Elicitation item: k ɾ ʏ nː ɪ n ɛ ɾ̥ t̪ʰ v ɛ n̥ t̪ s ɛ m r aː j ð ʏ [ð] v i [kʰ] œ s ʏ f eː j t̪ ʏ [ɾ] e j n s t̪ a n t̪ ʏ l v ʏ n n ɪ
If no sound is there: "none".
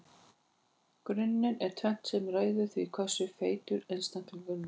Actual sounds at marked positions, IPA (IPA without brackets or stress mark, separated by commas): θ, kʰ, ɾ